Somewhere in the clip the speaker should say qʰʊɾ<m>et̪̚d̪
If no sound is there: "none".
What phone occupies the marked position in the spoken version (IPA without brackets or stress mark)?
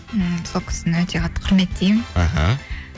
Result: m